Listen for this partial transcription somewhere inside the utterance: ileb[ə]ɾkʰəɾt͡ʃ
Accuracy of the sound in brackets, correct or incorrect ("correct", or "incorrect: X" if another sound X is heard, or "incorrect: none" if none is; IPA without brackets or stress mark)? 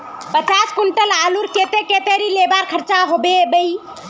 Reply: incorrect: a